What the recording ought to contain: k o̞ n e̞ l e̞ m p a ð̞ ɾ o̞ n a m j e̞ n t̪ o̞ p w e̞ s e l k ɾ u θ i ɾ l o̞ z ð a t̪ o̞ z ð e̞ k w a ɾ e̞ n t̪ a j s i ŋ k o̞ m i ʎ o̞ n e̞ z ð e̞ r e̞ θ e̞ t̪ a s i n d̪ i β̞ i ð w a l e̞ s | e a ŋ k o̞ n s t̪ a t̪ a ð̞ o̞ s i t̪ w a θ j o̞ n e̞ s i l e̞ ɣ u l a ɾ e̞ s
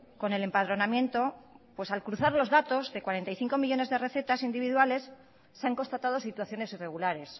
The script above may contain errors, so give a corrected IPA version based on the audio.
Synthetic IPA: k o̞ n e̞ l e̞ m p a ð̞ ɾ o̞ n a m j e̞ n t̪ o̞ p w e̞ s a l k ɾ u θ a ɾ l o̞ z ð a t̪ o̞ z ð e̞ k w a ɾ e̞ n t̪ a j θ i ŋ k o̞ m i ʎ o̞ n e̞ z ð e̞ r e̞ θ e̞ t̪ a s i n d̪ i β̞ i ð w a l e̞ sː | e a ŋ k o̞ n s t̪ a t̪ a ð̞ o̞ s i t̪ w a θ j o̞ n e̞ s i r e̞ ɣ u l a ɾ e̞ s

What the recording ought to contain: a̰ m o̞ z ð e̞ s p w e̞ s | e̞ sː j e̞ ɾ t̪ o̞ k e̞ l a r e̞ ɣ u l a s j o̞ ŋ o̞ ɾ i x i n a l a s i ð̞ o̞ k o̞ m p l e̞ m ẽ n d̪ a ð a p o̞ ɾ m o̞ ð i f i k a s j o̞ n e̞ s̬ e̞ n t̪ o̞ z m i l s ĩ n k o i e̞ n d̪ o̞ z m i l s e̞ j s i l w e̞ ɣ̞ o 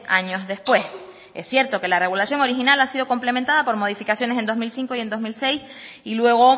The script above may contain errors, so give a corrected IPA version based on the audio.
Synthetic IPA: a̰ ɲ o̞ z ð e̞ s p w e̞ s | e̞ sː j e̞ ɾ t̪ o̞ k e̞ l a r e̞ ɣ u l a s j o̞ ŋ o̞ ɾ i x i n a l a s i ð̞ o̞ k o̞ m p l e̞ m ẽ n t̪ a ð a p o̞ ɾ m o̞ ð i f i k a s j o̞ n e̞ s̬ e̞ n d̪ o̞ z m i l s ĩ ŋ k o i e̞ n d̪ o̞ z m i l s e̞ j s i l w e̞ ɣ̞ o

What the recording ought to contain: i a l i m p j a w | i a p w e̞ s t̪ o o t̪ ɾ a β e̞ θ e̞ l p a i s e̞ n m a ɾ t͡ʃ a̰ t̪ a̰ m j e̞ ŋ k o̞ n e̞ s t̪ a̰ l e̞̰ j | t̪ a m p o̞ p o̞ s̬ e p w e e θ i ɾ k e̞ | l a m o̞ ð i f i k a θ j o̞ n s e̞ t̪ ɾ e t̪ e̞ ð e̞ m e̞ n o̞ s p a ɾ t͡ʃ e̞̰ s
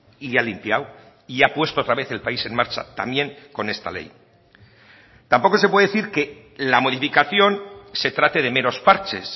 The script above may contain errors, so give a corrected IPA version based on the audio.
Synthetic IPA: i a l i m p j a w | i a p w e̞ s t̪ o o t̪ ɾ a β e̞ θ e̞ l p a i s e̞ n m a ɾ t͡ʃ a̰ t̪ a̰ m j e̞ ŋ k o̞ n e̞ s t̪ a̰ l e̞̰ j | t̪ a m p o̞ k o̞ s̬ e p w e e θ i ɾ k e̞ | l a m o̞ ð i f i k a θ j o̞ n s e̞ t̪ ɾ a t̪ e̞ ð e̞ m e̞ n o̞ s p a ɾ t͡ʃ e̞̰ s

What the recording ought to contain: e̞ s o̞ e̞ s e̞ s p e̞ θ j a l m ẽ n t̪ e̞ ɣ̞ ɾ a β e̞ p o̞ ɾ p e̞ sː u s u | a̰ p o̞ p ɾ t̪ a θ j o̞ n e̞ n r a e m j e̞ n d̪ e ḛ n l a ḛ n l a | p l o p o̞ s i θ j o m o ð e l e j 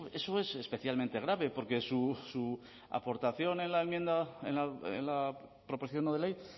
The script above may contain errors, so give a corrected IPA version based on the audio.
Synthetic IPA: e̞ s o̞ e̞ s e̞ s p e̞ θ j a l m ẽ n t̪ e̞ ɣ̞ ɾ a β e̞ p o̞ ɾ k e̞ s u s u | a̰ p o̞ ɾ t̪ a θ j o̞ n e̞ n l a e m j e̞ n d̪ a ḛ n l a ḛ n l a | p ɾ o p o̞ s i θ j o n o ð e l e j

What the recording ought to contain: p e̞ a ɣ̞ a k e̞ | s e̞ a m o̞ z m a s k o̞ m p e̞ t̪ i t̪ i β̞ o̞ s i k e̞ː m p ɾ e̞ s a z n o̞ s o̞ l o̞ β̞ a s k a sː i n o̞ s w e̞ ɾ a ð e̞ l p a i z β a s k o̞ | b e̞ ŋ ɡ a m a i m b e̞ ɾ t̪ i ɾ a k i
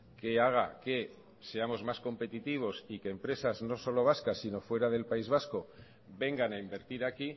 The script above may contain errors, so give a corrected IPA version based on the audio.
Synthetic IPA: k e̞ a ɣ̞ a k e̞ | s e̞ a m o̞ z m a s k o̞ m p e̞ t̪ i t̪ i β̞ o̞ s i k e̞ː m p ɾ e̞ s a z n o̞ s o̞ l o̞ β̞ a s k a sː i n o̞ f w e̞ ɾ a ð e̞ l p a i z β a s k o̞ | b e̞ ŋ ɡ a n a i m b e̞ ɾ t̪ i ɾ a k i

